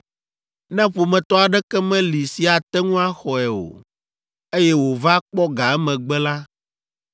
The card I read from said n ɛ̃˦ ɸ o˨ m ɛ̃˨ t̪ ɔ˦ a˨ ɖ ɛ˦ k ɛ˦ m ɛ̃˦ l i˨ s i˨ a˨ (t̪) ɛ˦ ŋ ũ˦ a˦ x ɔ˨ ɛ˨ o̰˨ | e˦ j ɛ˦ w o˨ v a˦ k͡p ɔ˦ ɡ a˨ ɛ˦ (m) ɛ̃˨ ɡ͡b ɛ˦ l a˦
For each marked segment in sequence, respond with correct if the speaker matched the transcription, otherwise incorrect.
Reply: correct, correct

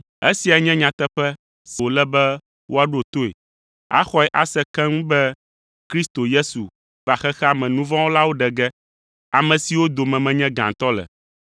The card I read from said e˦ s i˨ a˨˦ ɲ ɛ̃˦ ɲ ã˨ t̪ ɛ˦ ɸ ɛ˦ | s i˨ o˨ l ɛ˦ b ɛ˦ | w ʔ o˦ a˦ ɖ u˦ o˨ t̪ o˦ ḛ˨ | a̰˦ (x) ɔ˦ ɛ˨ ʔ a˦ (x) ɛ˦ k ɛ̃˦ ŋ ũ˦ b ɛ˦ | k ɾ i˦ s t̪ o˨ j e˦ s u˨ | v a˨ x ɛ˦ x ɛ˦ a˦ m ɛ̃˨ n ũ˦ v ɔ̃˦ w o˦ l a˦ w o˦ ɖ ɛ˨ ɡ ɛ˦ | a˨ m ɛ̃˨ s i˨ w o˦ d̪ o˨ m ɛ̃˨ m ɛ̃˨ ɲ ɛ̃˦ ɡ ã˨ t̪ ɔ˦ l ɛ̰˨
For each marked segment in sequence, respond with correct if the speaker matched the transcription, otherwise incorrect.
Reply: correct, incorrect: s

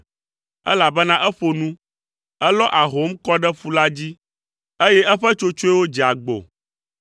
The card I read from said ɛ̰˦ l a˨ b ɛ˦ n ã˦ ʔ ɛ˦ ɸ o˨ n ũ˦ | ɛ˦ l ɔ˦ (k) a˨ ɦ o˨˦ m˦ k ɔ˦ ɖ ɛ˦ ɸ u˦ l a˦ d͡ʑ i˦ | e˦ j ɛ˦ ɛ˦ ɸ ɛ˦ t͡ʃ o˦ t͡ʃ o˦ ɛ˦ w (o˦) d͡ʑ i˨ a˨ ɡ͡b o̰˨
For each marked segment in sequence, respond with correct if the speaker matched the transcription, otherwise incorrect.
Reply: incorrect: ʔ, correct

